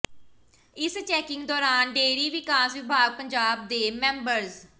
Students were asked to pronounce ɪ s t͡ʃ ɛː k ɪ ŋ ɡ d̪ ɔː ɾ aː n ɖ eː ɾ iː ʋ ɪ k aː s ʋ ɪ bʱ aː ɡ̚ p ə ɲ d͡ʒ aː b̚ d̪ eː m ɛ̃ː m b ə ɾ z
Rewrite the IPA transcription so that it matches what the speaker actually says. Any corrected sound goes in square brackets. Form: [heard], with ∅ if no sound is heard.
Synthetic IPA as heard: ɪ s t͡ʃ ɛː k ɪ ŋ ɡ d̪ ɔː ɾ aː n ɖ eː ɾ iː ʋ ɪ k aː s ʋ ɪ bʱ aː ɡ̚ p ə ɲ d͡ʒ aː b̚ d̪ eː m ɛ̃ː m b ə ɾ z